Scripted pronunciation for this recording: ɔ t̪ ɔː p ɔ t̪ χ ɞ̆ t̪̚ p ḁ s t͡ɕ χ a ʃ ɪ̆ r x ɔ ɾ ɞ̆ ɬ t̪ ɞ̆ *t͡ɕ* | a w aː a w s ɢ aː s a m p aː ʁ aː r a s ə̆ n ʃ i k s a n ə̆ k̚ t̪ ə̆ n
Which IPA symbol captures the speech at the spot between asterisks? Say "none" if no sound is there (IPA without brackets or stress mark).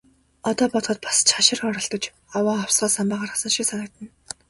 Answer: t͡ɕ